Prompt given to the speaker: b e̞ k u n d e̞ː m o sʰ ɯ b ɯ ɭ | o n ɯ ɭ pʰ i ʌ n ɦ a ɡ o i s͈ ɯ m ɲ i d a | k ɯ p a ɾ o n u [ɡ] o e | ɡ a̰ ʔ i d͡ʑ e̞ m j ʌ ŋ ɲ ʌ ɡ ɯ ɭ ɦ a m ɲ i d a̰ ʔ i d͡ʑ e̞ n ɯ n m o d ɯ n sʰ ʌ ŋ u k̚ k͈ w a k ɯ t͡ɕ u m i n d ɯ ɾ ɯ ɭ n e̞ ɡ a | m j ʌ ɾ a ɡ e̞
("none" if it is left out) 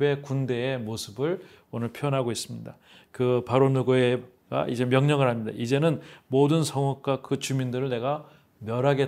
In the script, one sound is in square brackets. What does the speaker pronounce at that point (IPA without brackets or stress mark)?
ɡ